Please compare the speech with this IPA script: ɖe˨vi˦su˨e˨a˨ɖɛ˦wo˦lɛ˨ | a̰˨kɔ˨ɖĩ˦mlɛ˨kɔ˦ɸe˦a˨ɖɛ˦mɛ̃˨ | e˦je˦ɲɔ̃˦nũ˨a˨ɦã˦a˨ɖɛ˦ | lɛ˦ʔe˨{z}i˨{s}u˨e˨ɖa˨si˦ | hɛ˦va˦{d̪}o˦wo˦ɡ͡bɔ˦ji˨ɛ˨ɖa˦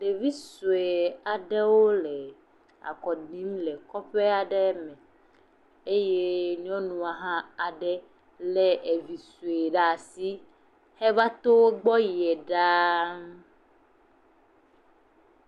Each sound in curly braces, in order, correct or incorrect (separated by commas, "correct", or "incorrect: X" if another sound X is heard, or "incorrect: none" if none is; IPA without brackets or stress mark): incorrect: v, correct, incorrect: t̪